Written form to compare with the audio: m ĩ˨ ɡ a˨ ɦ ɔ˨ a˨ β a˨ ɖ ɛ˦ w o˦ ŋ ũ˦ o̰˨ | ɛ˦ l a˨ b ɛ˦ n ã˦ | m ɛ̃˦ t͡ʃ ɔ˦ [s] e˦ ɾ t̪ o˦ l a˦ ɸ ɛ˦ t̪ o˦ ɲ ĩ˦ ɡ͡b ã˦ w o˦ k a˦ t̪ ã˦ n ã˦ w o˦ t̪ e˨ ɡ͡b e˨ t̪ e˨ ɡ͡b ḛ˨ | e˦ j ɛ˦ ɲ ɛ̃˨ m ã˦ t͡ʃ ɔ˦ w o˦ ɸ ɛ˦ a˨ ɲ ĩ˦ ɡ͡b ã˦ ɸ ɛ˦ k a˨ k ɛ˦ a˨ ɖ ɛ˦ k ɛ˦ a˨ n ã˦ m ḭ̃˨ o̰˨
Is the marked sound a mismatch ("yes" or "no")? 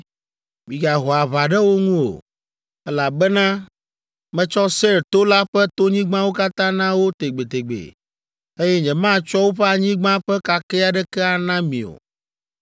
no